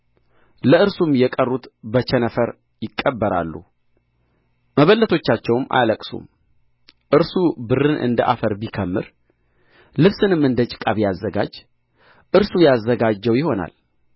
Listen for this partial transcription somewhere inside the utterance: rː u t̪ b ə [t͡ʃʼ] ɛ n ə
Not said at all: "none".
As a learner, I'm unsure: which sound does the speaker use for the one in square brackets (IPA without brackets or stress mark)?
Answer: t͡ʃ